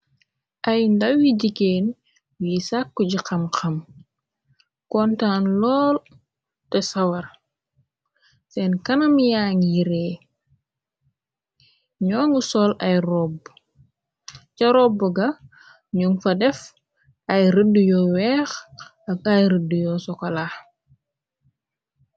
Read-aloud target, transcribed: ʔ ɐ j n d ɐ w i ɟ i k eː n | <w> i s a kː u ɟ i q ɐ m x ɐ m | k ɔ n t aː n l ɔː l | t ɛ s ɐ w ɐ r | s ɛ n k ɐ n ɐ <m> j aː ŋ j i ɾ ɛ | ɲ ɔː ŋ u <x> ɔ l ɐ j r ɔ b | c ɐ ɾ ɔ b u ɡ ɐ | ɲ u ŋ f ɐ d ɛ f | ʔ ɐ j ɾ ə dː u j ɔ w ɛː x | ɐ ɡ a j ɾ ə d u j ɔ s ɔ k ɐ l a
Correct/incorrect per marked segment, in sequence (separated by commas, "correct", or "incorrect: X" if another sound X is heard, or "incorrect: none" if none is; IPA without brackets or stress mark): correct, correct, incorrect: s